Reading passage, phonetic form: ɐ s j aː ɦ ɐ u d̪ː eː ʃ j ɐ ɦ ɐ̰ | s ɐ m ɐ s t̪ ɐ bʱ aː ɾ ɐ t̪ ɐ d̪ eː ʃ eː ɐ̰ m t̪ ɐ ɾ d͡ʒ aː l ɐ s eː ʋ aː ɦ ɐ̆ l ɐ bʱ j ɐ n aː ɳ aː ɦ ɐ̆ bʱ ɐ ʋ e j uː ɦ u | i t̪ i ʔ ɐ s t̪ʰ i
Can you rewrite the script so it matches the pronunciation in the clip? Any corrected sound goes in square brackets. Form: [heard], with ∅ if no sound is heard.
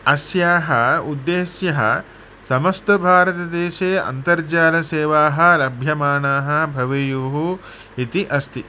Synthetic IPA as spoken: ɐ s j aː ɦ ɐ u d̪ː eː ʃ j ɐ ɦ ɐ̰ | s ɐ m ɐ s t̪ ɐ bʱ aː ɾ ɐ t̪ ɐ d̪ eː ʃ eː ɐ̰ [n] t̪ ɐ ɾ d͡ʒ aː l ɐ s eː ʋ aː ɦ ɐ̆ l ɐ bʱ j ɐ [m] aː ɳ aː ɦ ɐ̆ bʱ ɐ ʋ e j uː ɦ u | i t̪ i ʔ ɐ s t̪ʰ i

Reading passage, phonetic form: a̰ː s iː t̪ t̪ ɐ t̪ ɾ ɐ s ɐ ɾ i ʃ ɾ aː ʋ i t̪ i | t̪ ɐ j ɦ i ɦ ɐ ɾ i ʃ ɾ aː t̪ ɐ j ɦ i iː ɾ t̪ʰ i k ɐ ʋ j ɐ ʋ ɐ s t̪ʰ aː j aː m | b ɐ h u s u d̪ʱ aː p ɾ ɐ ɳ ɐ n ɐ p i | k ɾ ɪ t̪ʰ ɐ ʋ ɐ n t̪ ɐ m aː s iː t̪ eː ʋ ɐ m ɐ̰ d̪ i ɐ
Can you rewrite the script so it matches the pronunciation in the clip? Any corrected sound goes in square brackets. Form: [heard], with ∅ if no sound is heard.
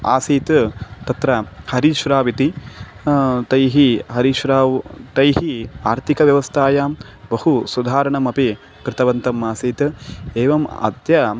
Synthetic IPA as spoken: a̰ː s iː t̪ t̪ ɐ t̪ ɾ ɐ [h] ɐ ɾ i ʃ ɾ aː ʋ i t̪ i | t̪ ɐ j ɦ i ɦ ɐ ɾ i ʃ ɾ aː t̪ ɐ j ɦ i [aː] ɾ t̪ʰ i k ɐ ʋ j ɐ ʋ ɐ s t̪ʰ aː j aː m | b ɐ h u s u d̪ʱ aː [∅] ɾ ɐ ɳ ɐ [m] ɐ p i | k ɾ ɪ [t̪] ɐ ʋ ɐ n t̪ ɐ m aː s iː t̪ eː ʋ ɐ m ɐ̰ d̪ [j] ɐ

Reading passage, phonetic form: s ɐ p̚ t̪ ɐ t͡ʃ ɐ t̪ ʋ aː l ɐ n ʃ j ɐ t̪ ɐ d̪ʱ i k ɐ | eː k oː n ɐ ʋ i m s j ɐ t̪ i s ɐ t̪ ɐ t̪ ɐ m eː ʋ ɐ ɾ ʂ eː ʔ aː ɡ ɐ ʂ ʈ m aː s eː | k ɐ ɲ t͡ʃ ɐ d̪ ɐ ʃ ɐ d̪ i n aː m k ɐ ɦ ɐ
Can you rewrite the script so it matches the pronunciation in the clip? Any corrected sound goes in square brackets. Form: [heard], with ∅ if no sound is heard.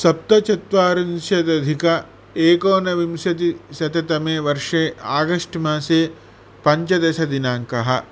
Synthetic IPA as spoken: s ɐ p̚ t̪ ɐ t͡ʃ ɐ t̪ ʋ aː [ɾ] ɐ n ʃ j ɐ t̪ ɐ d̪ʱ i k ɐ | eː k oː n ɐ ʋ i m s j ɐ t̪ i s ɐ t̪ ɐ t̪ ɐ m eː ʋ ɐ ɾ ʂ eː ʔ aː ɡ ɐ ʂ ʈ m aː s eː | [p] ɐ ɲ t͡ʃ ɐ d̪ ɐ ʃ ɐ d̪ i n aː [ŋ] k ɐ ɦ ɐ

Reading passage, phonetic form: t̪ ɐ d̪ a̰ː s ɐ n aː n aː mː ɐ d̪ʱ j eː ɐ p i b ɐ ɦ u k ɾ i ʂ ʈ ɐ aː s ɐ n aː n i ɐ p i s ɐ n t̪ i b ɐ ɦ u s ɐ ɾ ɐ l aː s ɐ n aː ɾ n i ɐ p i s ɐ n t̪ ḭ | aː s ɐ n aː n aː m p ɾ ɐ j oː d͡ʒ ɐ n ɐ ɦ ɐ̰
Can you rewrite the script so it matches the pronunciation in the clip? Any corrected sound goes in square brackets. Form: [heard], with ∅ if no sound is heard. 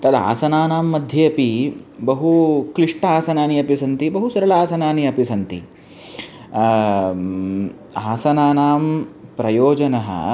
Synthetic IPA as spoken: t̪ ɐ d̪ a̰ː s ɐ n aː n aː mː ɐ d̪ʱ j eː ɐ p i b ɐ ɦ u k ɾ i ʂ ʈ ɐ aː s ɐ n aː n i ɐ p i s ɐ n t̪ i b ɐ ɦ u s ɐ ɾ ɐ l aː s ɐ n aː [∅] n i ɐ p i s ɐ n t̪ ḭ | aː s ɐ n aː n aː m p ɾ ɐ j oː d͡ʒ ɐ n ɐ ɦ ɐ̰

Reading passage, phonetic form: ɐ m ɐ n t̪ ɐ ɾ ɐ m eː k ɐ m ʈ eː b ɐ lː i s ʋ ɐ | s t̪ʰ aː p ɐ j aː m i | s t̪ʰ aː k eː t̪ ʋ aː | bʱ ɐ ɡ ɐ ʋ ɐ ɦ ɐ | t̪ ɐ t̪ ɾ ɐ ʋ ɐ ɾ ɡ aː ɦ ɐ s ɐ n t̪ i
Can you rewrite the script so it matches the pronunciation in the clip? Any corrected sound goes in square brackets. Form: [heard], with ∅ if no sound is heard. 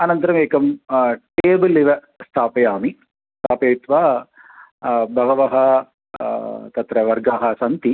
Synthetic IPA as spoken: ɐ [n] ɐ n t̪ ɐ ɾ ɐ m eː k ɐ m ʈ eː b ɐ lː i [∅] ʋ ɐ | s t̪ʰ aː p ɐ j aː m i | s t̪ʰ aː [p] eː t̪ ʋ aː | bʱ ɐ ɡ ɐ ʋ ɐ ɦ ɐ | t̪ ɐ t̪ ɾ ɐ ʋ ɐ ɾ ɡ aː ɦ ɐ s ɐ n t̪ i

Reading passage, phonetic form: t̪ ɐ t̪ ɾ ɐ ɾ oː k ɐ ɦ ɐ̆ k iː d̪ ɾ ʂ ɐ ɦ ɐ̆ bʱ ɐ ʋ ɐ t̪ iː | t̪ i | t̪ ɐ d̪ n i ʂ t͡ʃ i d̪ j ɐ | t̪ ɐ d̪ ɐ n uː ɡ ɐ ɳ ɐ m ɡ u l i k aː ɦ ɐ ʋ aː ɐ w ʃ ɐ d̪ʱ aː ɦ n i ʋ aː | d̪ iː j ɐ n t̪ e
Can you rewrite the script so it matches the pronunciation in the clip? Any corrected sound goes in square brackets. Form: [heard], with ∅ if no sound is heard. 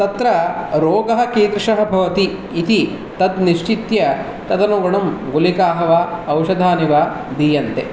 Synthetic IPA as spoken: t̪ ɐ t̪ ɾ ɐ ɾ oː [ɡ] ɐ ɦ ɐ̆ k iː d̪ ɾ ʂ ɐ ɦ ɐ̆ bʱ ɐ ʋ ɐ t̪ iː | t̪ i | t̪ ɐ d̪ n i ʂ t͡ʃ i [t̪] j ɐ | t̪ ɐ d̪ ɐ n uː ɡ ɐ ɳ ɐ m ɡ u l i k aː ɦ ɐ ʋ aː ɐ w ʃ ɐ d̪ʱ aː [∅] n i ʋ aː | d̪ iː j ɐ n t̪ e

